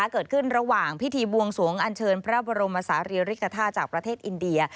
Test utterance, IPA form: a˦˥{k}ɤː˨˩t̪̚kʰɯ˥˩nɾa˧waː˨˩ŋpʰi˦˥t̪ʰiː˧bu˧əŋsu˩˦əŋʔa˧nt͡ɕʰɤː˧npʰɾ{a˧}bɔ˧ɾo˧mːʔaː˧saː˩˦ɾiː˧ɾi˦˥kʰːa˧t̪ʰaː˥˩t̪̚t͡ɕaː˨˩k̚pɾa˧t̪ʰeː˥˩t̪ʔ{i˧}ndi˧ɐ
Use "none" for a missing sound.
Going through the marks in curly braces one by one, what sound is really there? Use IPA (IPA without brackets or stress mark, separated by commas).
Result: k, a˦˥, i˧